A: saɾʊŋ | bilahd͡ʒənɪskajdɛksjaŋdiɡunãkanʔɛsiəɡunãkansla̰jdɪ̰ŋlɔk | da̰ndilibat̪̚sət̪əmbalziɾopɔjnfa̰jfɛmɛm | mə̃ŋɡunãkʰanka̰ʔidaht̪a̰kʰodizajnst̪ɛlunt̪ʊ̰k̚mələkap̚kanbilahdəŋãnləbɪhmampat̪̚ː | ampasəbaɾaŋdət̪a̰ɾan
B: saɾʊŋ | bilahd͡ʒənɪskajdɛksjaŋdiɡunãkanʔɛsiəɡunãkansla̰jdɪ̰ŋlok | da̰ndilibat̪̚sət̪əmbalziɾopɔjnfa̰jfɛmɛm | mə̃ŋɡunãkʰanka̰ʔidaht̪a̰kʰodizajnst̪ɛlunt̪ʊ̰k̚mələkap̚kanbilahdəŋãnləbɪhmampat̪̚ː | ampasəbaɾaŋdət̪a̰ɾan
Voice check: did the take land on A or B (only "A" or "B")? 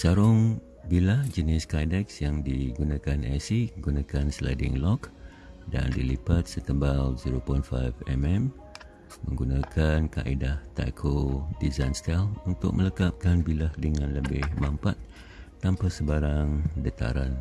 A